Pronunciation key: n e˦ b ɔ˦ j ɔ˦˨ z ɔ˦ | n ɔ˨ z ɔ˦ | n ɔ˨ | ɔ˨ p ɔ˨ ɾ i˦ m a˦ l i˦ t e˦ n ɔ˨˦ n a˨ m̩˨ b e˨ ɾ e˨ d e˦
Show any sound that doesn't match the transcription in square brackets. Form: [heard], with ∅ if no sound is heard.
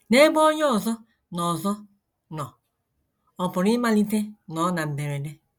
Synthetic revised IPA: n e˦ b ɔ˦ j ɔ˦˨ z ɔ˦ | n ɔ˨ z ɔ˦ | n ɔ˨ | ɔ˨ p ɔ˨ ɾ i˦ m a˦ l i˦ t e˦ n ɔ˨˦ n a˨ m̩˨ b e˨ ɾ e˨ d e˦